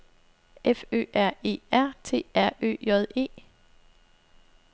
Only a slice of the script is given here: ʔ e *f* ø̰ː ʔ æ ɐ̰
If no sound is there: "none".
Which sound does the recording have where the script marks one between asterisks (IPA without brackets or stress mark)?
f